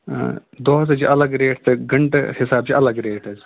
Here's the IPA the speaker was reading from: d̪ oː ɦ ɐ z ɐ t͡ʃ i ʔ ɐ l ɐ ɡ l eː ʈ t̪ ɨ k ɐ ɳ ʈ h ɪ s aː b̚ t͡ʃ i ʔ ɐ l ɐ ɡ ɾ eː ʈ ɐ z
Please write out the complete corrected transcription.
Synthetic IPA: d̪ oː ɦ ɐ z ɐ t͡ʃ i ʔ ɐ l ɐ ɡ ɾ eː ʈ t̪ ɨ ɡ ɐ ɳ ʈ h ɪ s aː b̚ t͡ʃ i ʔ ɐ l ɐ ɡ ɾ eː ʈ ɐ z

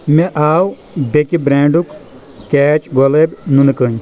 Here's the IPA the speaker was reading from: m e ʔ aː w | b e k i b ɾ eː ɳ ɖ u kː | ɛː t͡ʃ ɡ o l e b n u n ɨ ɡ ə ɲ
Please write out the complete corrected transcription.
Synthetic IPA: m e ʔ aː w | b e k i b ɾ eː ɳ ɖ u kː | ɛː t͡ʃ ɡ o l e b n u n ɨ k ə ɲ

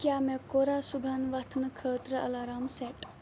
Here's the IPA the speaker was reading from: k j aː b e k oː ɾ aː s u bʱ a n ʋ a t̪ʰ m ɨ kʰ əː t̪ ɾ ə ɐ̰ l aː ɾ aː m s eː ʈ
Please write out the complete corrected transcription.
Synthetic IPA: k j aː m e k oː ɾ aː s u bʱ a n ʋ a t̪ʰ n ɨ kʰ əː t̪ ɾ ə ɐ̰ l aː ɾ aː m s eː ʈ

